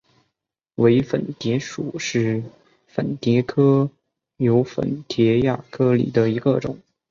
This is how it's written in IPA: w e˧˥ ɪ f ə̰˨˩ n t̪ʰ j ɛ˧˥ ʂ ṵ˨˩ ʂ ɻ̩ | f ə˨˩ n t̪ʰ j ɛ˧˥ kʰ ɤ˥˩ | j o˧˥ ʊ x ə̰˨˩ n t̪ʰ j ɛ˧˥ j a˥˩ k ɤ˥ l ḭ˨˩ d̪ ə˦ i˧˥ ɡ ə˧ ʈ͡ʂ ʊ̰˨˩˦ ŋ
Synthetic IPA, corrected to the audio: w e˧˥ ɪ f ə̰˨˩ n t̪ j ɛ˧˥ ʂ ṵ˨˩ ʂ ɻ̩ | f ə˨˩ n t̪ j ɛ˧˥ kʰ ɤ˥ | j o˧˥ ʊ f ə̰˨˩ n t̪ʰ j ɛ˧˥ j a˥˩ kʰ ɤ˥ l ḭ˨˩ d̪ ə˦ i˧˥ ɡ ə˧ ʈ͡ʂ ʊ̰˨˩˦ ŋ